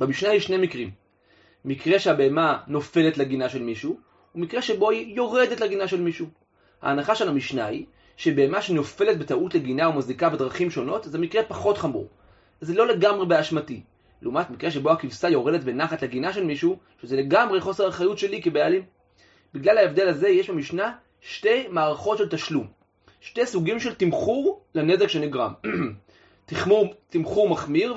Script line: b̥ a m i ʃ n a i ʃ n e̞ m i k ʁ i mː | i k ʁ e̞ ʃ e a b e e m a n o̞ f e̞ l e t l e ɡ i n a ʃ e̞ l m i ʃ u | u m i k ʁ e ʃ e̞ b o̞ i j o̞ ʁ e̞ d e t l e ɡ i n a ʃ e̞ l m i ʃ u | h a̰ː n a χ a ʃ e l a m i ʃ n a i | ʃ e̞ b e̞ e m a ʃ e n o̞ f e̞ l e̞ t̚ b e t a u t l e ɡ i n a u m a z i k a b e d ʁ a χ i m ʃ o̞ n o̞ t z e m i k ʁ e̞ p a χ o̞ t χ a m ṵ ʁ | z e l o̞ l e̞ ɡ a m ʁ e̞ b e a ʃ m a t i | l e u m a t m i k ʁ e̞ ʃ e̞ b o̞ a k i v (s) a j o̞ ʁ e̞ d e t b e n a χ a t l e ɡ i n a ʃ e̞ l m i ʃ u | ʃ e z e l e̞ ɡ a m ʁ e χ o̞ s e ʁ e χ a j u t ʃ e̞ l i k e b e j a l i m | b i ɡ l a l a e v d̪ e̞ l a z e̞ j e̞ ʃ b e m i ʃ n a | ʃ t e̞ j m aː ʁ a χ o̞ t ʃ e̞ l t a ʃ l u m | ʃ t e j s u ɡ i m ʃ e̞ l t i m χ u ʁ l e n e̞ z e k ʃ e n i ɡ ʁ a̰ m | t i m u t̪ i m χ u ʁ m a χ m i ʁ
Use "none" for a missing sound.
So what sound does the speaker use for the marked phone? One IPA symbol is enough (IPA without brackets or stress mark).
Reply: s